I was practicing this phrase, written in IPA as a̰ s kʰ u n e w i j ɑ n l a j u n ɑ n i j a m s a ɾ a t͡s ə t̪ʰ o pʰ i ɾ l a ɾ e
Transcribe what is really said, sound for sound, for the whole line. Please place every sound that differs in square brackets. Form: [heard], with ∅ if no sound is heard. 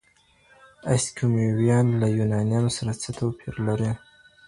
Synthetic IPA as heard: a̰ s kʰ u [m] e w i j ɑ n l a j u n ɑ n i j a m s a ɾ a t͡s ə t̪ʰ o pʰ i ɾ l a ɾ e